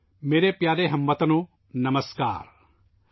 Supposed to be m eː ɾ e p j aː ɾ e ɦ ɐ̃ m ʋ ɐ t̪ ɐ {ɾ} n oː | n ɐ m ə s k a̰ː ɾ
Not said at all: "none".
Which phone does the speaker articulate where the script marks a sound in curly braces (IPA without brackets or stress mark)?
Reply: none